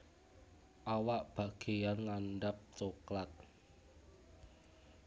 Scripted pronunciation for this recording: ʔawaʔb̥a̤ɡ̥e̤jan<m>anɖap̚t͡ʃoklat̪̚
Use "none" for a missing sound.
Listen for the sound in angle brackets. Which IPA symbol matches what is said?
ŋ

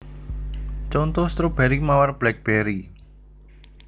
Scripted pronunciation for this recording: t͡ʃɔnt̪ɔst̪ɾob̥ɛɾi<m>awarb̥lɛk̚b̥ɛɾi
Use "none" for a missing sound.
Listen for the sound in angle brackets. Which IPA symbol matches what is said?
m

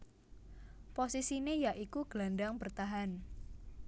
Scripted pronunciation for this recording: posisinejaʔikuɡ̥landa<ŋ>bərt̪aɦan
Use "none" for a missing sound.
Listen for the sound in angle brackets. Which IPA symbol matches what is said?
ŋ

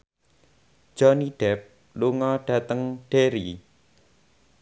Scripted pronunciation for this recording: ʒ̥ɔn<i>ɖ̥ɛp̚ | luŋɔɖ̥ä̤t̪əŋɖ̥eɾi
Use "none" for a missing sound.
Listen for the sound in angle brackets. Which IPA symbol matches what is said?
i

